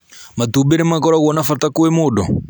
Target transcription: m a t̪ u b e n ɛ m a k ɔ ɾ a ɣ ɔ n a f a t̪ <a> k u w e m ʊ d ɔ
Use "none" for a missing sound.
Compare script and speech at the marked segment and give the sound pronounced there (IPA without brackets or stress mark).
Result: a